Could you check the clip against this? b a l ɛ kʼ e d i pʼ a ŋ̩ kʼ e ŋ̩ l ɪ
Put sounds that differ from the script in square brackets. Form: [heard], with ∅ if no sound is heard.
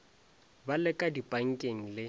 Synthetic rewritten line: b a l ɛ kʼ [a] d i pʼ a ŋ̩ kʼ e ŋ̩ l ɪ